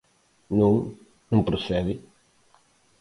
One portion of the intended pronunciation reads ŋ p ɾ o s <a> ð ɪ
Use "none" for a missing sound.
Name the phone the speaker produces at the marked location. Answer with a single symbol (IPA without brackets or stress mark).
ɛ